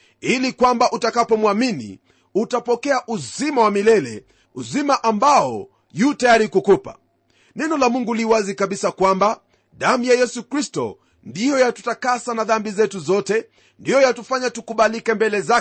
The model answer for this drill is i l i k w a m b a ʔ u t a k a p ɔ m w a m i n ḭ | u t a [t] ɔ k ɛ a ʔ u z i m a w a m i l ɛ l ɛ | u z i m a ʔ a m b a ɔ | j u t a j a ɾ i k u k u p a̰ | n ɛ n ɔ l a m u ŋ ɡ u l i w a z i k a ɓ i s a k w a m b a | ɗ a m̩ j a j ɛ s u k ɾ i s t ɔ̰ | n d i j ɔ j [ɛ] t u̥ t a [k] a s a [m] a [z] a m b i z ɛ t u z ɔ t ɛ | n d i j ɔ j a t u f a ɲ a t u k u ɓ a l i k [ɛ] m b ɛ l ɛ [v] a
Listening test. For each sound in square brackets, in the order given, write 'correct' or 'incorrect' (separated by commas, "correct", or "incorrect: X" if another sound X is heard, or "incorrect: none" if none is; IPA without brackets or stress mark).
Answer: incorrect: p, incorrect: a, correct, incorrect: n, incorrect: ð, correct, incorrect: z